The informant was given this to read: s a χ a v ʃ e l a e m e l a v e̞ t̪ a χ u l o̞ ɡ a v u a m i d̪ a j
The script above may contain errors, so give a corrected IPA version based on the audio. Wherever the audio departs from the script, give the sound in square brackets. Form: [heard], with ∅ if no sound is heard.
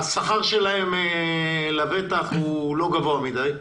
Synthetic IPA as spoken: s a χ a [ʁ] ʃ e l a e m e l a v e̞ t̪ a χ u l o̞ ɡ a v [o] a m i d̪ a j